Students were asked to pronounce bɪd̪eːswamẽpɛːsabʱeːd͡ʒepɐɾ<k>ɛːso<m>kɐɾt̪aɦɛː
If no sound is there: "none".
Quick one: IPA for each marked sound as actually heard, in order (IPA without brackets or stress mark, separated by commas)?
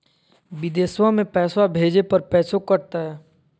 p, none